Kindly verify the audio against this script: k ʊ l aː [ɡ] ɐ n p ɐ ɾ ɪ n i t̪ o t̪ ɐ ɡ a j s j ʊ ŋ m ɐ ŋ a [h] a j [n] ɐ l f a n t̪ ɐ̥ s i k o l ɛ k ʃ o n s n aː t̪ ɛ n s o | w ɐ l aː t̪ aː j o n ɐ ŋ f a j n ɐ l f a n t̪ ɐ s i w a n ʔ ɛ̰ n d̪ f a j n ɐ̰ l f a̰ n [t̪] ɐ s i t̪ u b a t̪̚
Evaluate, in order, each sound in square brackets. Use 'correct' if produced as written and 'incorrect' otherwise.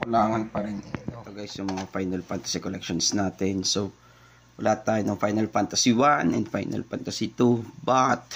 incorrect: ŋ, incorrect: f, correct, correct

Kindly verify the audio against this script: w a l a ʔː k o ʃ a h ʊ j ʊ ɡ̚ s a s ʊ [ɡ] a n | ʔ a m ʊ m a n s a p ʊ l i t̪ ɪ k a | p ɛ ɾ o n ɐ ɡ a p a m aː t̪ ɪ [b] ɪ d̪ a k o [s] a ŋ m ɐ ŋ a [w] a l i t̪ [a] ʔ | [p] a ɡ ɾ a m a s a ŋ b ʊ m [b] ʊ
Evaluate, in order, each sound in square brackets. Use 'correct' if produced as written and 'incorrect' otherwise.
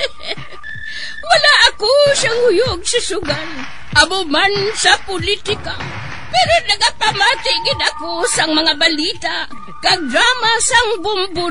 correct, incorrect: ɡ, correct, incorrect: b, correct, incorrect: k, correct

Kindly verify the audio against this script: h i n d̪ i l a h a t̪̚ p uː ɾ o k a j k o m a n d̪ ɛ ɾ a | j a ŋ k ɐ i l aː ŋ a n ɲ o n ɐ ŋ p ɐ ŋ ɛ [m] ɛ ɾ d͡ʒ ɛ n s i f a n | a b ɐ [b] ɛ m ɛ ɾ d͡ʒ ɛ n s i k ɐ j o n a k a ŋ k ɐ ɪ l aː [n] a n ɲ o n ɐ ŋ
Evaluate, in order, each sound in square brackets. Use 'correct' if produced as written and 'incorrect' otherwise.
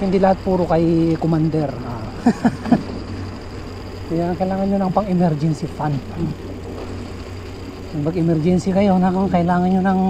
correct, incorrect: ɡ, incorrect: ŋ

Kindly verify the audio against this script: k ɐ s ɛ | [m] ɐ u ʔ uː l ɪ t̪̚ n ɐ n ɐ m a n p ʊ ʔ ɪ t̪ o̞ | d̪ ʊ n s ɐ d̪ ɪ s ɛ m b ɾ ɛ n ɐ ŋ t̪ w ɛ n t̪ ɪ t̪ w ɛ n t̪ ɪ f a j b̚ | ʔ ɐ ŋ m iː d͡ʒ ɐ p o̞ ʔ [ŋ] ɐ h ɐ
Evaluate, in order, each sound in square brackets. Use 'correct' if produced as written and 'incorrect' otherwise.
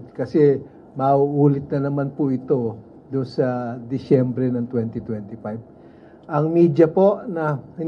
correct, incorrect: n

